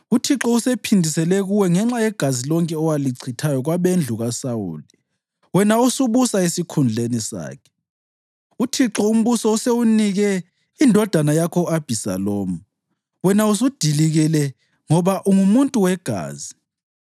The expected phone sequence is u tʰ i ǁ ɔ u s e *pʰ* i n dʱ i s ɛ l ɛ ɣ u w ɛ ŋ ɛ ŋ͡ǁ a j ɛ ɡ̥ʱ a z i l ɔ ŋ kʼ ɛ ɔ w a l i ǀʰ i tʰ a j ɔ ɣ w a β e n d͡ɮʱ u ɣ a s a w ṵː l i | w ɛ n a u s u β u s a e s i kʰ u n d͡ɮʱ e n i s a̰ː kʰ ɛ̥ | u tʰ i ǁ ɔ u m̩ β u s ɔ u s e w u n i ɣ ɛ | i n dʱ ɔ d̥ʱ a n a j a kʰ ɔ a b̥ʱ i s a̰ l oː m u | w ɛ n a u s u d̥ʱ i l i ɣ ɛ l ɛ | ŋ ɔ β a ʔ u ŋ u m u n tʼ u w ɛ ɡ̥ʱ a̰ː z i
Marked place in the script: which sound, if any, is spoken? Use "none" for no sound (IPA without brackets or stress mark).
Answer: pʰ